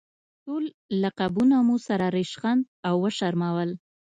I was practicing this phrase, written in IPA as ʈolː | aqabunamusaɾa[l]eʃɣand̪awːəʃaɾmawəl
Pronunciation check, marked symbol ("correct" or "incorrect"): incorrect